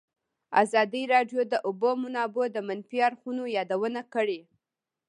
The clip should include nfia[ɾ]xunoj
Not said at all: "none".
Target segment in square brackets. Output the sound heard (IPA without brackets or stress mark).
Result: ɾ